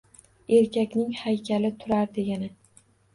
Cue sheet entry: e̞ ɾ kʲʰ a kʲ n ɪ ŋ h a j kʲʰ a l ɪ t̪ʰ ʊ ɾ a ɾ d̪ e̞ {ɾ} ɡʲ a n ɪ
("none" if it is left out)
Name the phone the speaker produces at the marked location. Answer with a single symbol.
none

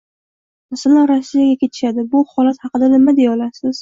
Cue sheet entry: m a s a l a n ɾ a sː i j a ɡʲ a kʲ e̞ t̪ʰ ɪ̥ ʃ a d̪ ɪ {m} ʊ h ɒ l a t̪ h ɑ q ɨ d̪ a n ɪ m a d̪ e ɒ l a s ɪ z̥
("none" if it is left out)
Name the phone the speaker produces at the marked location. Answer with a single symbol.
b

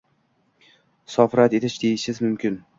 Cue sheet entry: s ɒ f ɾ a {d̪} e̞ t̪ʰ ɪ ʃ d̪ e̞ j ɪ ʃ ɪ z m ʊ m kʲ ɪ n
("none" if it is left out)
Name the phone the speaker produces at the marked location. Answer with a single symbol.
t̪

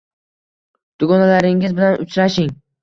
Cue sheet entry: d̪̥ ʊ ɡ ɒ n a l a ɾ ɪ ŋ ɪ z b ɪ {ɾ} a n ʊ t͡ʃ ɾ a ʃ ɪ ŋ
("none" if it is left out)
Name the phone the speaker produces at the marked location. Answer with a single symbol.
l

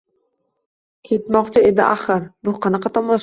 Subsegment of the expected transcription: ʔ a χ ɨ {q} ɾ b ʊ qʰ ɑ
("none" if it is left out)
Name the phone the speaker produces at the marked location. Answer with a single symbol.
none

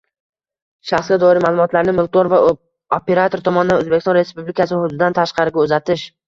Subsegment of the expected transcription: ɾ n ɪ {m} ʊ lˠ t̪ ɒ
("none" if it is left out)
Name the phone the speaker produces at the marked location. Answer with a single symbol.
m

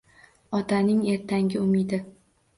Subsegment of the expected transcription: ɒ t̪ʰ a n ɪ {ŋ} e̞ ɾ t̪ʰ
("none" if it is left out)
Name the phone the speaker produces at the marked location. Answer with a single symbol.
ŋ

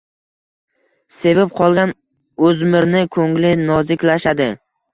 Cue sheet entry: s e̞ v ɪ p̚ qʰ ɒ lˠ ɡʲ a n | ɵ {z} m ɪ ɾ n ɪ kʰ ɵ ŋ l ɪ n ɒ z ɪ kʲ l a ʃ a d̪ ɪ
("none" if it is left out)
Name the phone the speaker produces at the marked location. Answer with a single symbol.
z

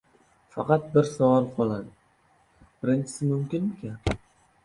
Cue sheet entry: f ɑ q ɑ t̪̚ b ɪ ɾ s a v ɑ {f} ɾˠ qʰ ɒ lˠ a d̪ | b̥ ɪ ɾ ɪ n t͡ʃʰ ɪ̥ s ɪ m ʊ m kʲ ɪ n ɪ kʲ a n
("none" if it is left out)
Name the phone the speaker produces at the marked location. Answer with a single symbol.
none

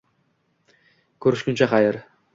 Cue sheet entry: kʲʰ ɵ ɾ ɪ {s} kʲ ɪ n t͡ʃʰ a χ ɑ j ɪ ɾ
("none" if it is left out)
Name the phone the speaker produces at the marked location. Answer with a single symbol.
ʃ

